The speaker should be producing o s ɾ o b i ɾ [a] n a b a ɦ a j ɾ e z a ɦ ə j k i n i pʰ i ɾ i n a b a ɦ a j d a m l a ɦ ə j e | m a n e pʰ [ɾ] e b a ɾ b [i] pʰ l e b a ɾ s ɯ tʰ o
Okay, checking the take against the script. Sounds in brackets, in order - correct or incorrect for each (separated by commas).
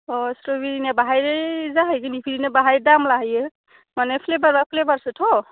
incorrect, incorrect, incorrect